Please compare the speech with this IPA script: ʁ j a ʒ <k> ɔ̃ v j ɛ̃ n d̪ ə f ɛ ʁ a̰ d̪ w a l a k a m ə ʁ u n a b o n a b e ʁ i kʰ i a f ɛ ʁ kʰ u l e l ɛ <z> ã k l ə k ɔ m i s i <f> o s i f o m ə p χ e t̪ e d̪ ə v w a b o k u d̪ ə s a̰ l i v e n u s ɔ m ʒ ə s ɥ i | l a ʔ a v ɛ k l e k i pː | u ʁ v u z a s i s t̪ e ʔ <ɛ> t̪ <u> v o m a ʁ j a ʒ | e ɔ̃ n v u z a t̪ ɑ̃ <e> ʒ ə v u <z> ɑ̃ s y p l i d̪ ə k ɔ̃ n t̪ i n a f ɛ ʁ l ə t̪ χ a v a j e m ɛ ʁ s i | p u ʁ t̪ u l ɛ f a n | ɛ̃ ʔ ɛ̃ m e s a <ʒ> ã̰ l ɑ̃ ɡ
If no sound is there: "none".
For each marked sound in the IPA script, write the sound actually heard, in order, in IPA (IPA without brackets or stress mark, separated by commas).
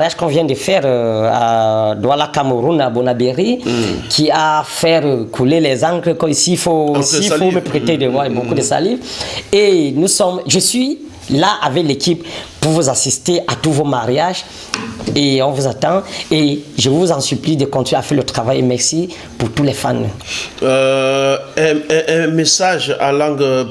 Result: k, z, f, a, u, e, z, ʒ